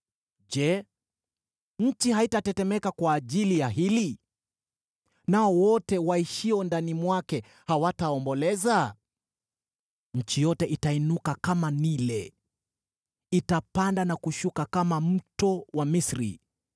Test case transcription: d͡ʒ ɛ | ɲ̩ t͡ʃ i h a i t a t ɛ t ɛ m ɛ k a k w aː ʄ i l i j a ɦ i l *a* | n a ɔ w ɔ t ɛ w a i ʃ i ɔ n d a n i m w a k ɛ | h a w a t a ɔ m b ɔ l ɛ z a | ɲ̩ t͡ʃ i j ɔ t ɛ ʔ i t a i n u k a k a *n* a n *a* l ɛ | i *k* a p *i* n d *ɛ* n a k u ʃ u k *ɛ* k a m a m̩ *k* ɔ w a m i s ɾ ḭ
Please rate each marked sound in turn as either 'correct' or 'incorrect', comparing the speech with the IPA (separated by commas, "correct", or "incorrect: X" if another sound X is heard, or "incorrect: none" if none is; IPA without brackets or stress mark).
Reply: incorrect: i, incorrect: m, incorrect: i, incorrect: t, incorrect: a, incorrect: a, incorrect: a, incorrect: t